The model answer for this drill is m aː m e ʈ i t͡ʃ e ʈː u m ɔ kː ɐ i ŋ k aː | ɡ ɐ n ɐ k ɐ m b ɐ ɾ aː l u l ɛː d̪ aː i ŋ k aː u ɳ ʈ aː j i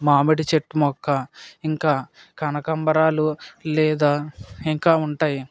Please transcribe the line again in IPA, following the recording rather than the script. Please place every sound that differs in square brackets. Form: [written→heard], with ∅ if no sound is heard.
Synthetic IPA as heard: m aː m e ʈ i t͡ʃ e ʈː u m ɔ kː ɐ i ŋ k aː | [ɡ→k] ɐ n ɐ k ɐ m b ɐ ɾ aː l u l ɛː d̪ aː i ŋ k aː u ɳ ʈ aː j i